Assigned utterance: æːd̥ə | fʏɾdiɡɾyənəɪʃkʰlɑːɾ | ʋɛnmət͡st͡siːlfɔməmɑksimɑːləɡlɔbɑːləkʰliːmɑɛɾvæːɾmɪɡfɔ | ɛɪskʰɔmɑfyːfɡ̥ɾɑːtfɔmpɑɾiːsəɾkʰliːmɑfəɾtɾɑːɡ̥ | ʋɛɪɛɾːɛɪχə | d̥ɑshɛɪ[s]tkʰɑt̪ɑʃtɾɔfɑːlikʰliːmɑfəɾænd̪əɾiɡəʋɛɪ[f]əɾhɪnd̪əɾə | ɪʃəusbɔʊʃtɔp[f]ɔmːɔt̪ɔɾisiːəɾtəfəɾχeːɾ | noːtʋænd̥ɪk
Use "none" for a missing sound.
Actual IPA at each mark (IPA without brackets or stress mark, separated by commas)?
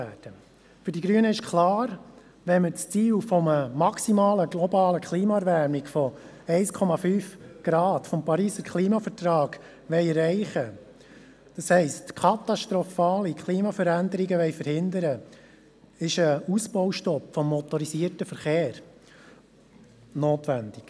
s, f, f